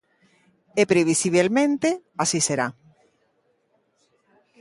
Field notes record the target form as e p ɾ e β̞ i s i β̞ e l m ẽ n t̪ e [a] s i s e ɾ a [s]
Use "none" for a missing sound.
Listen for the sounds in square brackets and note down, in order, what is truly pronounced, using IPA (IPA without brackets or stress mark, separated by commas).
a, none